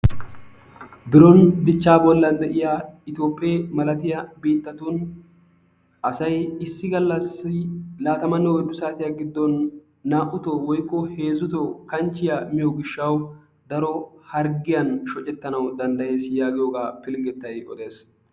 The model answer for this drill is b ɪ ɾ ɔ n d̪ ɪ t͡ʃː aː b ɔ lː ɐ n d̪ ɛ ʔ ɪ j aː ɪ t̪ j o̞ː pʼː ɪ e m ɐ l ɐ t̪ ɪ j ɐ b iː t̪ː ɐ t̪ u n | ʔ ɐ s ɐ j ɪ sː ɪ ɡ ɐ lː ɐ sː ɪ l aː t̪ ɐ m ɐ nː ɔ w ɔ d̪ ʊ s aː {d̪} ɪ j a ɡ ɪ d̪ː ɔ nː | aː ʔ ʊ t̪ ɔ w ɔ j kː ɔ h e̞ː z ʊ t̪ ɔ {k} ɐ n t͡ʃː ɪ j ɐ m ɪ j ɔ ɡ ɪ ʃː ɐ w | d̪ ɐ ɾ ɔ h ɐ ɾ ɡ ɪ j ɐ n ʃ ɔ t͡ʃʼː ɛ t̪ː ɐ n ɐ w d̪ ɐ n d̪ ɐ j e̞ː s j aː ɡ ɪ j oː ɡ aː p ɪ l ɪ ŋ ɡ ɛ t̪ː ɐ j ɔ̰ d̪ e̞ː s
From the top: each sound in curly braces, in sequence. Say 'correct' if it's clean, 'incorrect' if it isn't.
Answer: incorrect: t̪, correct

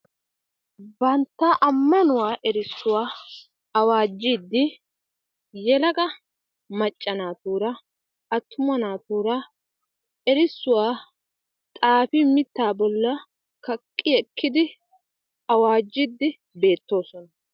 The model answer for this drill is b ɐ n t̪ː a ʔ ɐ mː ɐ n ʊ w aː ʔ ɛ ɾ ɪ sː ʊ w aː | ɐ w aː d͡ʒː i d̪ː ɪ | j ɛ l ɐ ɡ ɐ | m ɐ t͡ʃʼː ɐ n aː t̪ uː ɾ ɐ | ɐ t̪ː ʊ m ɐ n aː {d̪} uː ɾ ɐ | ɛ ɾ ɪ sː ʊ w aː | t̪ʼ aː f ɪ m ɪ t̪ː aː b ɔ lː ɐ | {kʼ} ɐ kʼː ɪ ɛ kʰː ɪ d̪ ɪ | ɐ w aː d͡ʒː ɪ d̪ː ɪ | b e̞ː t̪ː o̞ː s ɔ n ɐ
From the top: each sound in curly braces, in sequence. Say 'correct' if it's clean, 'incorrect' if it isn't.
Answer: incorrect: t̪, incorrect: k

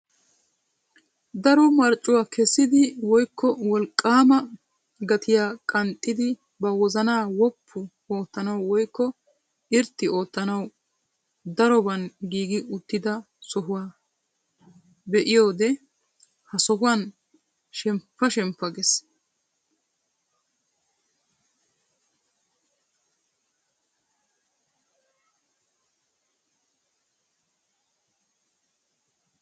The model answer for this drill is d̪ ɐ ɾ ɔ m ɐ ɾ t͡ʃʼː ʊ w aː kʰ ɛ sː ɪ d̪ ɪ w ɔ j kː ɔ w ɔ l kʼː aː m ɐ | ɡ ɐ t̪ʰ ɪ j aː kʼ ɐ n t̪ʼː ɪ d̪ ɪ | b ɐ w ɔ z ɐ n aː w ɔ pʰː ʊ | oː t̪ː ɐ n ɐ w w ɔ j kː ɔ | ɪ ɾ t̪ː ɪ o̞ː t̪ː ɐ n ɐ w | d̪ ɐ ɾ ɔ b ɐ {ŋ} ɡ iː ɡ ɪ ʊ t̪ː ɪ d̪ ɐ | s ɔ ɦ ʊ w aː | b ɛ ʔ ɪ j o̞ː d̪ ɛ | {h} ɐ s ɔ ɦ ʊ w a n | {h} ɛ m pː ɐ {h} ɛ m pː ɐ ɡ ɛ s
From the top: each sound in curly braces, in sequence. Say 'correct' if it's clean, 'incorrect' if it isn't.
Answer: incorrect: n, correct, incorrect: ʃ, incorrect: ʃ

